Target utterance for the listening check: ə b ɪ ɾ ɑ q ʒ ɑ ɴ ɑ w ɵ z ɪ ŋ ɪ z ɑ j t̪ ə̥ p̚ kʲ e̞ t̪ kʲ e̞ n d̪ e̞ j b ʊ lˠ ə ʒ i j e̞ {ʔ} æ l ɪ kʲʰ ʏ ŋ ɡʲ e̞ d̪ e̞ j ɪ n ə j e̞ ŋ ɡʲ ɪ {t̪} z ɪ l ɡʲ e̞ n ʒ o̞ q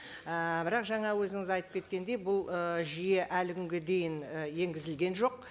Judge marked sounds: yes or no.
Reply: yes, no

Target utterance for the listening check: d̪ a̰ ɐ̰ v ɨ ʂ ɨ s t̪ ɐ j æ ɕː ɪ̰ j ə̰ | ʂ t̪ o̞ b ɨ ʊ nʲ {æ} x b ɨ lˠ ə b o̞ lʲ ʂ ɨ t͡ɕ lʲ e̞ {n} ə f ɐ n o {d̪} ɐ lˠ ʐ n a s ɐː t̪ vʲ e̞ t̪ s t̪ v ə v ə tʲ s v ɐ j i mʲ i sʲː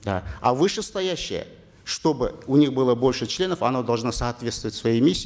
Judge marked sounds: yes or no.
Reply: no, yes, yes

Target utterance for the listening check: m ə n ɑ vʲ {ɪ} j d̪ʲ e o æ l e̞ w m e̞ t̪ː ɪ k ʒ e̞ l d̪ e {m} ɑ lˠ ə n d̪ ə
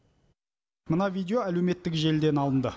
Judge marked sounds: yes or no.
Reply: no, no

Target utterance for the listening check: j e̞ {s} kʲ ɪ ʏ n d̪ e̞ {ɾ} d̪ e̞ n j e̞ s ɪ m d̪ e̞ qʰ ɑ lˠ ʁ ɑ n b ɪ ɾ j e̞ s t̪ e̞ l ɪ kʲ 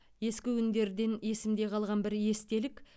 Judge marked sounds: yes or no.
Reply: yes, yes

